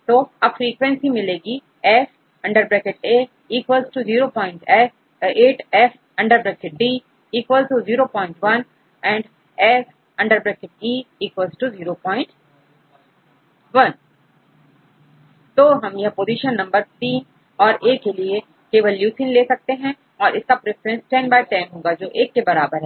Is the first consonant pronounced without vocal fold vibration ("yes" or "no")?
yes